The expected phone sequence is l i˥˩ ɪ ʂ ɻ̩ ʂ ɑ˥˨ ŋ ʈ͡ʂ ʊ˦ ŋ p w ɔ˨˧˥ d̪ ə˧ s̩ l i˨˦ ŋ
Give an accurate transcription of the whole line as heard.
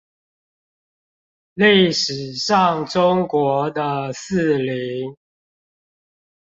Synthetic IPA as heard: l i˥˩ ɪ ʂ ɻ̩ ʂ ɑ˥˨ ŋ ʈ͡ʂ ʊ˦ ŋ k w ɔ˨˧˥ d̪ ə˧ s̩ l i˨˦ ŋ